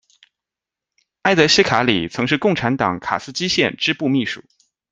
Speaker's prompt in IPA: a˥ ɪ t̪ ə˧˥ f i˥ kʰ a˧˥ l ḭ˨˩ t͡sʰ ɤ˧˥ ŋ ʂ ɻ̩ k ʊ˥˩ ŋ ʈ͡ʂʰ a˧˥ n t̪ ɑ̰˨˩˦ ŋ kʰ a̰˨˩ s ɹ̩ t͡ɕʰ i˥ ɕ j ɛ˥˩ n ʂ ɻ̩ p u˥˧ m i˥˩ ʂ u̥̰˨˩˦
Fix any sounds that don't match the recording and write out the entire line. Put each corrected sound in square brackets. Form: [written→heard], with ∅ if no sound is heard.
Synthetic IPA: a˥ ɪ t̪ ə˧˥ [f→ɕ] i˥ kʰ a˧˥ l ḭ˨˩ t͡sʰ ɤ˧˥ ŋ ʂ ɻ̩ k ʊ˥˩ ŋ ʈ͡ʂʰ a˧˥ n t̪ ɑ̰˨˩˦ ŋ kʰ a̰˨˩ s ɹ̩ [t͡ɕʰ→t͡ɕ] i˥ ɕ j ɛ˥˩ n [ʂ→ʈ͡ʂ] ɻ̩ p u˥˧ m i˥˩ ʂ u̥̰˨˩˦